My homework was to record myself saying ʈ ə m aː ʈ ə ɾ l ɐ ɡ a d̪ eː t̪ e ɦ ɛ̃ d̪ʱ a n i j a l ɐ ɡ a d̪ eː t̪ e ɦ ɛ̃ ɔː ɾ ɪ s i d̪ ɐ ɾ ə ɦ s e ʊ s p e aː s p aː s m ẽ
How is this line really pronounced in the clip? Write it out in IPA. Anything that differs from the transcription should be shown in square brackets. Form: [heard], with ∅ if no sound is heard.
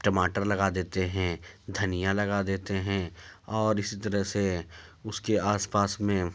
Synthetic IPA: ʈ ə m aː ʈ ə ɾ l ɐ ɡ a d̪ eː t̪ e ɦ ɛ̃ d̪ʱ [ɐ] n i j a l ɐ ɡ a d̪ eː t̪ e ɦ ɛ̃ ɔː ɾ ɪ s i [t̪] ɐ ɾ ə ɦ s e ʊ s [k] e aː s p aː s m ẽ